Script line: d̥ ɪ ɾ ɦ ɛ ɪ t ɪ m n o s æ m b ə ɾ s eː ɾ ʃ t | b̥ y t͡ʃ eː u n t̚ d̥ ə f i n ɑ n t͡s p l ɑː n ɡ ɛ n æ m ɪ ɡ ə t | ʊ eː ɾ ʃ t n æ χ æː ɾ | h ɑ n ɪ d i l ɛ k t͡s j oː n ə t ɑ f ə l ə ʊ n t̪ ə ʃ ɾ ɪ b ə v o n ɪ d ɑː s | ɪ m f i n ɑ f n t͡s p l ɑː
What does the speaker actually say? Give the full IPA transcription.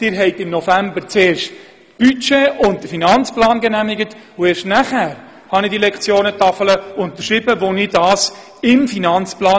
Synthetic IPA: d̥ ɪ ɾ ɦ ɛ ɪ t ɪ m n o f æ m b ə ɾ t͡s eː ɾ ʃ t | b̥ y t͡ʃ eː ʊ n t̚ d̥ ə f i n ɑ n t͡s p l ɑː n ɡ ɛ n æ m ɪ ɡ ə t | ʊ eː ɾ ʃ t n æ χ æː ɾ | h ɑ n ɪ d i l ɛ k t͡s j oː n ə t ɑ f ə l ə ʊ n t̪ ə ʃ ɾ ɪ b ə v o n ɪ d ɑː s | ɪ m f i n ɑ n t͡s p l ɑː